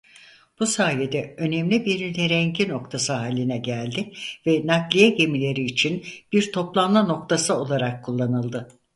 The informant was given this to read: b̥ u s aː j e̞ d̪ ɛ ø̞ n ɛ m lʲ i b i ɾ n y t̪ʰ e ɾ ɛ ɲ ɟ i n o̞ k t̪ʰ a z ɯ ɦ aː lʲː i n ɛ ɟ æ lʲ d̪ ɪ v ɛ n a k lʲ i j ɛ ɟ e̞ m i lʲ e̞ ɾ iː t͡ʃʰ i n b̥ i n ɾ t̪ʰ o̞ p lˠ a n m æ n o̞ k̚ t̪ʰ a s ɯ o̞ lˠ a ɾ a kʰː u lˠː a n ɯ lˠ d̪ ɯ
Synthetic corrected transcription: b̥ u s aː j e̞ d̪ ɛ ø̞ n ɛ m lʲ i b i ɾ n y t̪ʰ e ɾ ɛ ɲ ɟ i n o̞ k t̪ʰ a s ɯ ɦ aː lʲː i n ɛ ɟ æ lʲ d̪ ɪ v ɛ n a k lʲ i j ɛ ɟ e̞ m i lʲ e̞ ɾ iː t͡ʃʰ i n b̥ i ɾ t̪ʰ o̞ p lˠ a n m a n o̞ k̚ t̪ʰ a s ɯ o̞ lˠ a ɾ a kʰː u lˠː a n ɯ lˠ d̪ ɯ